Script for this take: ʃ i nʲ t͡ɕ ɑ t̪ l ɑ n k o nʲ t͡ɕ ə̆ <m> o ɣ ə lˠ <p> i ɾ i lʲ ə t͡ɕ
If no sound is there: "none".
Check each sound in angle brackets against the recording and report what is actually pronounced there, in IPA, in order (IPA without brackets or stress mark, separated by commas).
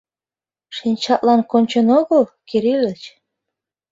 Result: n, k